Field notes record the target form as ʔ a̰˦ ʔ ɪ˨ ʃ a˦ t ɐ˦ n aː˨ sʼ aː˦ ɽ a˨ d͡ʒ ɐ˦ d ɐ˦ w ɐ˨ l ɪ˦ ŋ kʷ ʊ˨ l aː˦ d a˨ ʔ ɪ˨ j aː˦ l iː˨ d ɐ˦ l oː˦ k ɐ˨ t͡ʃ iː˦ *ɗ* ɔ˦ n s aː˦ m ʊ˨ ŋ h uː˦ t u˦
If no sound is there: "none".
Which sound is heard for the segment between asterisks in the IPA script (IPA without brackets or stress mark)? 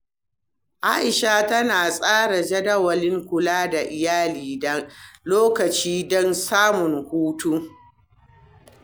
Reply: d